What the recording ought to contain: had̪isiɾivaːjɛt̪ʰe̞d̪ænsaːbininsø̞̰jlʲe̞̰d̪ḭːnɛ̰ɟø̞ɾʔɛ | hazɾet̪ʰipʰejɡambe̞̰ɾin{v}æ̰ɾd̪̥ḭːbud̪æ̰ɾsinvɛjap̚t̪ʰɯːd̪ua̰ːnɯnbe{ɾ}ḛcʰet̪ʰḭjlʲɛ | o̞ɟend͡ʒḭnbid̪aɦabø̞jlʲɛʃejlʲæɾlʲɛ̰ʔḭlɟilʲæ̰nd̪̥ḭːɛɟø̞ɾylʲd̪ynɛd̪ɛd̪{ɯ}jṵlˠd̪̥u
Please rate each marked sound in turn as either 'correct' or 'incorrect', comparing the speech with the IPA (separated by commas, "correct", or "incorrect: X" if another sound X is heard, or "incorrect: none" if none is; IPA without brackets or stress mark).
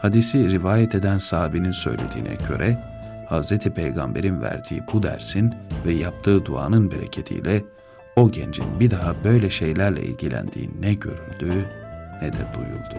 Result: correct, correct, incorrect: u